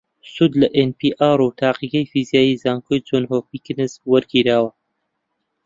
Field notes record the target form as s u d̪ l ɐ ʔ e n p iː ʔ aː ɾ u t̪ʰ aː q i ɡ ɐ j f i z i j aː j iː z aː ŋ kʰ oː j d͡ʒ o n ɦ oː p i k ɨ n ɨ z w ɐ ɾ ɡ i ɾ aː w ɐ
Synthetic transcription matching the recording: s u d̪ l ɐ ʔ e n p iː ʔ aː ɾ u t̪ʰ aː q i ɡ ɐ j f i z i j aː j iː z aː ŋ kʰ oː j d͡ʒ o n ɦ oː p i k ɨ n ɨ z w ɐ ɾ ɡ i ɾ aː w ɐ